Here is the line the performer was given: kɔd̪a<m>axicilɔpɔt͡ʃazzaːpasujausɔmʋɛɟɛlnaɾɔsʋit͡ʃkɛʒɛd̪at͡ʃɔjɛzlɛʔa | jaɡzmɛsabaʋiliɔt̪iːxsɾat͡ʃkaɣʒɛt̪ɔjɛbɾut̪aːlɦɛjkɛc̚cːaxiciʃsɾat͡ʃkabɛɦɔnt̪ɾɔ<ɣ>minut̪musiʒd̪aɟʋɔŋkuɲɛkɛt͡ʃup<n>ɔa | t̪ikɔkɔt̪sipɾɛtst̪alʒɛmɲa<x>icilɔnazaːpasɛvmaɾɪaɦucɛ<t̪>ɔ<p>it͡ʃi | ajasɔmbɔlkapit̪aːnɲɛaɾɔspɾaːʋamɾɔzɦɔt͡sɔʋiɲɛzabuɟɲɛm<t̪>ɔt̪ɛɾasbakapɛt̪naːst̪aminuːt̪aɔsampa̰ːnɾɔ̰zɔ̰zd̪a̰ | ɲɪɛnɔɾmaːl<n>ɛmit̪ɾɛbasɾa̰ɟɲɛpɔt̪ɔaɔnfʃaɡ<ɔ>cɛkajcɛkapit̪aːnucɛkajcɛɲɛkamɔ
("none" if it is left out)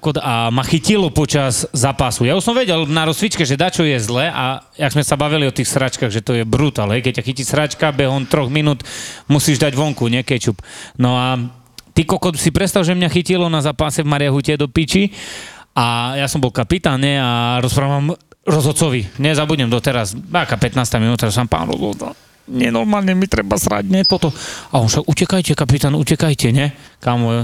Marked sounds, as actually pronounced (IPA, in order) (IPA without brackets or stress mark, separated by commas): m, ɣ, n, x, d̪, p, d̪, ɲ, u